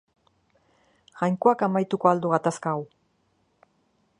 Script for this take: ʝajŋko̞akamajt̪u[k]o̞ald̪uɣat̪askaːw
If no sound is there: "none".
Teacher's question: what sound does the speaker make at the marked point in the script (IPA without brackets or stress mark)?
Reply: k